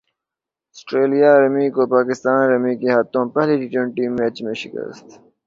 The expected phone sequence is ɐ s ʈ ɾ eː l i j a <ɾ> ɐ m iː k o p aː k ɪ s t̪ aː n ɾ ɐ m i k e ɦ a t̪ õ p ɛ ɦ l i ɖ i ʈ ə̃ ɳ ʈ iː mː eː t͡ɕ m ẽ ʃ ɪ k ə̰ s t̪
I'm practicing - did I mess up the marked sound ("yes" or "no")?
no